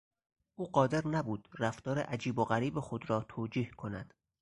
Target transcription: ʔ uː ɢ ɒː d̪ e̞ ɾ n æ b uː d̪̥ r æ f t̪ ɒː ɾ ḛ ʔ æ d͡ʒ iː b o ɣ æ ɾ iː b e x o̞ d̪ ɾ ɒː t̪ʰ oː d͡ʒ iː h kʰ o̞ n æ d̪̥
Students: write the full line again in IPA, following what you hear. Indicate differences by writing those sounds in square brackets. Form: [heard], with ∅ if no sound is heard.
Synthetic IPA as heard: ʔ uː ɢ ɒː d̪ e̞ ɾ n æ b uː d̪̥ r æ f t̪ ɒː ɾ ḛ ʔ æ d͡ʒ iː b o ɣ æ ɾ iː b e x o̞ d̪ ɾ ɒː t̪ʰ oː d͡ʒ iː h kʰ o̞ n æ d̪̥